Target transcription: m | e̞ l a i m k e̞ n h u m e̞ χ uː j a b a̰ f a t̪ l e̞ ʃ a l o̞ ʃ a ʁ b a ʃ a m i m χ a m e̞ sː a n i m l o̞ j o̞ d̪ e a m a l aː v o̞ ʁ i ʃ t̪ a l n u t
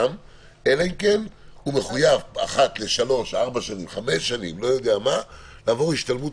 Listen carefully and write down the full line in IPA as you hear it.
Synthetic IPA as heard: m | e̞ l a i m k e̞ n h u m e̞ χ u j a v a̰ χ a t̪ l e̞ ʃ a l o̞ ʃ a ʁ b a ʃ a n i m χ a m e̞ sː a n i m l o̞ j o̞ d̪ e a m a l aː v o̞ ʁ i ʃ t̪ a l m u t